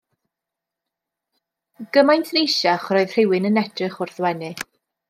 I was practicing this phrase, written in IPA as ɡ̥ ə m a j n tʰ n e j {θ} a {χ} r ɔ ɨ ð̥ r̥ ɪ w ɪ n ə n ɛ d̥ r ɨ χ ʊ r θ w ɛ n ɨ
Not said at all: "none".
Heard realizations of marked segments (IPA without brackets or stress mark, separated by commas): ʃ, χ